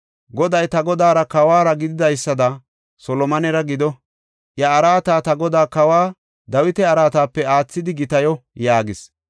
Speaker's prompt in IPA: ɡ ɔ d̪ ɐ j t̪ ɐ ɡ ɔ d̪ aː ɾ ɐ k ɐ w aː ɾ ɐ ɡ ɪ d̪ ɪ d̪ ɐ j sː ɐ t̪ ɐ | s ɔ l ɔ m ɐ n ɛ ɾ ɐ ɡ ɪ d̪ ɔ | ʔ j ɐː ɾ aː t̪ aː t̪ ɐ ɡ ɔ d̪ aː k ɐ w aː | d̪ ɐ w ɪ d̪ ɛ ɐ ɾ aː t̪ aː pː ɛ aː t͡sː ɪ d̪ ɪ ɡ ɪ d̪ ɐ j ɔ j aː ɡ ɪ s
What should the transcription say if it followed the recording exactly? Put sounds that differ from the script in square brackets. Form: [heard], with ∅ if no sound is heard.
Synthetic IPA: ɡ ɔ d̪ ɐ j t̪ ɐ ɡ ɔ d̪ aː ɾ ɐ k ɐ w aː ɾ ɐ ɡ ɪ d̪ ɪ d̪ ɐ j sː ɐ [d̪] ɐ | s ɔ l ɔ m ɐ n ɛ ɾ ɐ ɡ ɪ d̪ ɔ | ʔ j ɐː ɾ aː t̪ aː t̪ ɐ ɡ ɔ d̪ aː k ɐ w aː | d̪ ɐ w ɪ [t̪] ɛ ɐ ɾ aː t̪ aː pː ɛ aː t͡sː ɪ d̪ ɪ ɡ ɪ [t̪] ɐ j ɔ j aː ɡ ɪ s

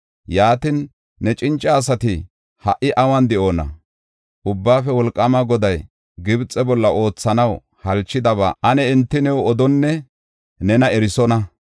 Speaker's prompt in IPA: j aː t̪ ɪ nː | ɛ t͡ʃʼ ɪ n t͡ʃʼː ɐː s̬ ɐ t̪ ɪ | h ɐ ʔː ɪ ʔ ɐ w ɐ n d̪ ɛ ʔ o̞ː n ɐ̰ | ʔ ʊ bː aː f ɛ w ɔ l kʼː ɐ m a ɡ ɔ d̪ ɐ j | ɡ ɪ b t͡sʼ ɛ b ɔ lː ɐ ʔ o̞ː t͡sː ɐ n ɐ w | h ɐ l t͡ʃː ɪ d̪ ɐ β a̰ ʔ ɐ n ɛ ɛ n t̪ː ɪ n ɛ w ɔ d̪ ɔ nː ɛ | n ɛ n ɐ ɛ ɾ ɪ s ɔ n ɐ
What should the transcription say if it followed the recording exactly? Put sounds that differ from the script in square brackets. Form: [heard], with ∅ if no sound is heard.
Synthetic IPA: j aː t̪ ɪ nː | ɛ t͡ʃʼ ɪ n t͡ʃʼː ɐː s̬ ɐ t̪ ɪ | h ɐ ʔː ɪ ʔ ɐ w ɐ n d̪ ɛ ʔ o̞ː n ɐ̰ | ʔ ʊ bː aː f ɛ w ɔ l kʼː ɐ m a ɡ ɔ d̪ ɐ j | ɡ ɪ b t͡sʼ ɛ b ɔ lː ɐ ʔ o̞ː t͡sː ɐ n ɐ w | h ɐ l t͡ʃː ɪ d̪ ɐ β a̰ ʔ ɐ n ɛ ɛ n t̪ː ɪ n ɛ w ɔ d̪ ɔ nː ɛ | n ɛ n ɐ ɛ ɾ ɪ s ɔ n ɐ

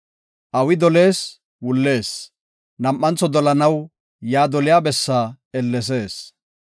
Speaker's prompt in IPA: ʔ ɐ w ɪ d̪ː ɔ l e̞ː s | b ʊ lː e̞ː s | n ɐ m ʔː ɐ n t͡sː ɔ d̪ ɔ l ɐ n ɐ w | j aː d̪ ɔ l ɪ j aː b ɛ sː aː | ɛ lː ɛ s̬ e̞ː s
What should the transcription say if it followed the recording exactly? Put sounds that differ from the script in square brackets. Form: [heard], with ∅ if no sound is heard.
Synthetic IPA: ʔ ɐ w ɪ [d̪] ɔ l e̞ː s | [w] ʊ lː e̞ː s | n ɐ m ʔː ɐ n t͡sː ɔ d̪ ɔ l ɐ n ɐ w | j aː d̪ ɔ l ɪ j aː b ɛ sː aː | ɛ lː ɛ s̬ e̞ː s

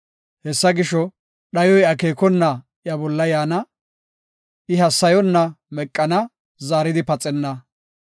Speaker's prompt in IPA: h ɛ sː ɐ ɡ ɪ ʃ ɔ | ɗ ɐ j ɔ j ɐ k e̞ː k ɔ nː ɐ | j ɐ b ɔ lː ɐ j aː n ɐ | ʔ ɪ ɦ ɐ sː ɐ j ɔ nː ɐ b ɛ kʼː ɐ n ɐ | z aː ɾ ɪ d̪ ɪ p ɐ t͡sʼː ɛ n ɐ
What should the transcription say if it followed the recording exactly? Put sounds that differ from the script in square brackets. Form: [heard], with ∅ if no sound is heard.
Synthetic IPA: h ɛ sː ɐ ɡ ɪ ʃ ɔ | ɗ ɐ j ɔ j ɐ k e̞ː k ɔ nː ɐ | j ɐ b ɔ lː ɐ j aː n ɐ | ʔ ɪ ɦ ɐ sː ɐ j ɔ nː ɐ [m] ɛ kʼː ɐ n ɐ | z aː ɾ ɪ d̪ ɪ p ɐ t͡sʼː ɛ [nː] ɐ

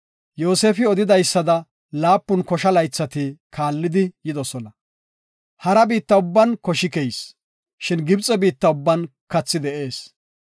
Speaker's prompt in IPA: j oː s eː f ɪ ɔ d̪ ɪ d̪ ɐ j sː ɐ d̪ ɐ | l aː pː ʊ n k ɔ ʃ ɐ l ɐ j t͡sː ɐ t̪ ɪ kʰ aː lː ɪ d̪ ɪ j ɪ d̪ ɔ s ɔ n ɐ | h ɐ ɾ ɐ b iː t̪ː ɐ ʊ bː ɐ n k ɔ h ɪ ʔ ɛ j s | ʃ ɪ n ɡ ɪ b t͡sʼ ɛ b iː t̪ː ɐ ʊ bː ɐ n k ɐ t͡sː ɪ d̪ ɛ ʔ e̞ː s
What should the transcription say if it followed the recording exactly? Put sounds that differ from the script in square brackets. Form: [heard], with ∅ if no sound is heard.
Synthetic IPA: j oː s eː f ɪ ɔ d̪ ɪ d̪ ɐ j sː ɐ d̪ ɐ | l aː pː ʊ n k ɔ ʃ ɐ l ɐ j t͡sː ɐ t̪ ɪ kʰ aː lː ɪ d̪ ɪ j ɪ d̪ ɔ s ɔ n ɐ | h ɐ ɾ ɐ b iː t̪ː ɐ ʊ bː ɐ n k ɔ [ʃ] ɪ [k] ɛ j s | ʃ ɪ n ɡ ɪ b t͡sʼ ɛ b iː t̪ː ɐ ʊ bː ɐ n k ɐ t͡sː ɪ d̪ ɛ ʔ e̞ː s

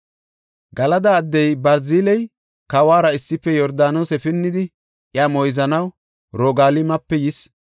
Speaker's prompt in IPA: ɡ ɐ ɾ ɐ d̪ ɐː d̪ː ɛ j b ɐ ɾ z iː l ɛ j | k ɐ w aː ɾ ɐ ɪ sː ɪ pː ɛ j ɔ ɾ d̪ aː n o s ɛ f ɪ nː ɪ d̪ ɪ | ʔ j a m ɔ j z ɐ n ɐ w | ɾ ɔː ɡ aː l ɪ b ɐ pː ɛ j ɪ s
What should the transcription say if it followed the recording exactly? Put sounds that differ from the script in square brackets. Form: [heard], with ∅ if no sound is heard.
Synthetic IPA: ɡ ɐ [l] ɐ d̪ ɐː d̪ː ɛ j b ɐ ɾ z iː l ɛ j | k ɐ w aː ɾ ɐ ɪ sː ɪ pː ɛ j ɔ ɾ d̪ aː n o s ɛ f ɪ nː ɪ d̪ ɪ | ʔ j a m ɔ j z ɐ n ɐ w | ɾ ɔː ɡ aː l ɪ [m] ɐ pː ɛ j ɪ s

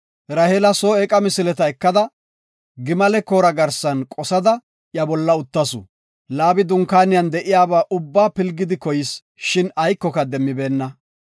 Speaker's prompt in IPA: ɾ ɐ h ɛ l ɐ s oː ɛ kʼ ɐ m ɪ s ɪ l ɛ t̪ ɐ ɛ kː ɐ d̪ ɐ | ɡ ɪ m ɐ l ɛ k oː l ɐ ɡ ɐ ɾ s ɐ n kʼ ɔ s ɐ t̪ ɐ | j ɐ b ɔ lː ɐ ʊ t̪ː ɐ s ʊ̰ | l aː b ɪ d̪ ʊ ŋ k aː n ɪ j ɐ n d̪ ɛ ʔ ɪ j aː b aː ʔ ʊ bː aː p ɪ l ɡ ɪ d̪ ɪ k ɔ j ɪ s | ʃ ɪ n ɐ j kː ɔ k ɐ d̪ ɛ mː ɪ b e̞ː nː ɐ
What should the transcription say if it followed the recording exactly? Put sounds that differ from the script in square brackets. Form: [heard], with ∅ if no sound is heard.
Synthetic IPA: ɾ ɐ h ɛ l ɐ s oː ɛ kʼ ɐ m ɪ s ɪ l ɛ t̪ ɐ ɛ kː ɐ d̪ ɐ | ɡ ɪ m ɐ l ɛ k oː [ɾ] ɐ ɡ ɐ ɾ s ɐ n kʼ ɔ s ɐ [d̪] ɐ | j ɐ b ɔ lː ɐ ʊ t̪ː ɐ s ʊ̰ | l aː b ɪ d̪ ʊ ŋ k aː n ɪ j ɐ n d̪ ɛ ʔ ɪ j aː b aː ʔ ʊ bː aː p ɪ l ɡ ɪ d̪ ɪ k ɔ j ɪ s | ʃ ɪ n ɐ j kː ɔ k ɐ d̪ ɛ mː ɪ b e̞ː nː ɐ

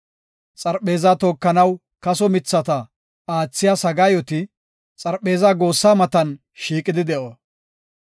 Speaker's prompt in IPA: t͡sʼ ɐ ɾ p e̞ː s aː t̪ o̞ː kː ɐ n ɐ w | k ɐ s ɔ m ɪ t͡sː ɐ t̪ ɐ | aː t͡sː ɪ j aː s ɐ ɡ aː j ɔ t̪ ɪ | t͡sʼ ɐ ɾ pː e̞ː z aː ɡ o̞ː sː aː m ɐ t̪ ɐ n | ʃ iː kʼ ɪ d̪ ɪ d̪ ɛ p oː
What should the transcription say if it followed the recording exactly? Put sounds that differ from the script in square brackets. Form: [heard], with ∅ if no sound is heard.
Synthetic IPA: t͡sʼ ɐ ɾ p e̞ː [z] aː t̪ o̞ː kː ɐ n ɐ w | k ɐ s ɔ m ɪ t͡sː ɐ t̪ ɐ | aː t͡sː ɪ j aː s ɐ ɡ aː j ɔ t̪ ɪ | t͡sʼ ɐ ɾ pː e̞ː z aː ɡ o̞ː sː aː m ɐ t̪ ɐ n | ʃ iː kʼ ɪ d̪ ɪ d̪ ɛ [ʔ] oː

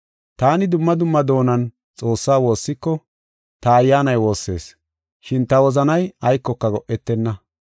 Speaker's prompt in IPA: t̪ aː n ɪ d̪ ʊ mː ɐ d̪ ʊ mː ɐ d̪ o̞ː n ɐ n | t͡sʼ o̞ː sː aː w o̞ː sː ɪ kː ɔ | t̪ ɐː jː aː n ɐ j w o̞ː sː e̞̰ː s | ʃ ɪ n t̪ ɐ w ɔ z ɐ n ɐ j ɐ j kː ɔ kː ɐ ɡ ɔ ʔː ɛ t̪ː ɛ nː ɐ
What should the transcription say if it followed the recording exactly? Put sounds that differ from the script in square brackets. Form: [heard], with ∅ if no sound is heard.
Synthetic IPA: t̪ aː n ɪ d̪ ʊ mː ɐ d̪ ʊ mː ɐ d̪ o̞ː n ɐ n | t͡sʼ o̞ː sː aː w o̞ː sː ɪ kː ɔ | t̪ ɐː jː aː n ɐ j w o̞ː sː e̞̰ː s | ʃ ɪ n t̪ ɐ w ɔ z ɐ n ɐ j ɐ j kː ɔ kː ɐ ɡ ɔ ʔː ɛ t̪ː ɛ nː ɐ

